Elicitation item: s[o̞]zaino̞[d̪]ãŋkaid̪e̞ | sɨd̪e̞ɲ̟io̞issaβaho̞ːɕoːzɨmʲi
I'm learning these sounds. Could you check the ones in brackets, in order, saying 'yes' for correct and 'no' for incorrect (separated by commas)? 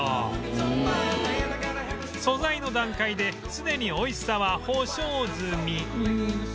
yes, yes